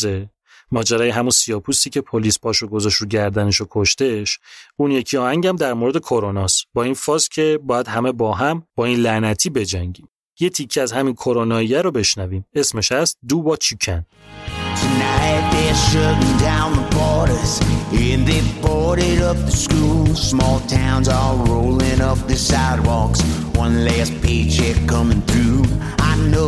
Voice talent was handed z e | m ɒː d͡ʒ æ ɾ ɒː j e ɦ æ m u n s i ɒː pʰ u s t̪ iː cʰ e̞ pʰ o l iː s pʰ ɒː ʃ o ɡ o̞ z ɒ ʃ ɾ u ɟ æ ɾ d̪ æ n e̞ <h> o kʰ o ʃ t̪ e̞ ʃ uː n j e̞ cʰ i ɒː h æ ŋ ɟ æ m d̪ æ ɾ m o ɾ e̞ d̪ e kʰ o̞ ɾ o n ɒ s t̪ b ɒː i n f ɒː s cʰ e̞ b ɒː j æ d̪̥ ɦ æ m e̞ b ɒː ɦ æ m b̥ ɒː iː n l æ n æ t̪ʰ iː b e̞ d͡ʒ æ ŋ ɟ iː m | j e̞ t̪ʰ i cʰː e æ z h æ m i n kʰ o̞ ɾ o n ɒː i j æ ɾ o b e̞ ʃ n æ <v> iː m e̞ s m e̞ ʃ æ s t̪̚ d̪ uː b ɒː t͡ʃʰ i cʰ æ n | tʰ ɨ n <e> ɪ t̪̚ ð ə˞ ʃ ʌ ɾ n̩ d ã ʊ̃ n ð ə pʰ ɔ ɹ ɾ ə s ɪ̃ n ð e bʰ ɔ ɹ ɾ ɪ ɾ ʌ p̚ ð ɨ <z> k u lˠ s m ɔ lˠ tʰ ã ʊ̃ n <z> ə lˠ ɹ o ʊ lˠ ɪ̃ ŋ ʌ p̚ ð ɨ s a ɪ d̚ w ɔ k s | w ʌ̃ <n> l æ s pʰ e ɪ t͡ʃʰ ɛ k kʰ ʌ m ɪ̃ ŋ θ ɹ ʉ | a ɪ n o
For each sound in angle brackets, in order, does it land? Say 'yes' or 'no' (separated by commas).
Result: no, yes, no, no, yes, yes